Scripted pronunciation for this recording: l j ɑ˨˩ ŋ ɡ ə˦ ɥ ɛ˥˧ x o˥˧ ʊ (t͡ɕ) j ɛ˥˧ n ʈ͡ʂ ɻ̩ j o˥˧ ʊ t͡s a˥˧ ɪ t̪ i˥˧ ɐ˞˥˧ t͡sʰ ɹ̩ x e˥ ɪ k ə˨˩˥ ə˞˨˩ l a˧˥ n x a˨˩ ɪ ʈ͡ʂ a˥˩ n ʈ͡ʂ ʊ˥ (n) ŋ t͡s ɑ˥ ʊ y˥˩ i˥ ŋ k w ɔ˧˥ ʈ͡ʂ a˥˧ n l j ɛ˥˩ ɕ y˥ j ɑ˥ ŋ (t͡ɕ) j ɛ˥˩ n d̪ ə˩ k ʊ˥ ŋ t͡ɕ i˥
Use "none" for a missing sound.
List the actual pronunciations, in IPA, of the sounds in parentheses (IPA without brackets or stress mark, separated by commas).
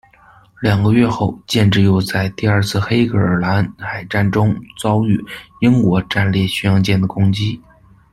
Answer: t͡ɕ, none, t͡ɕ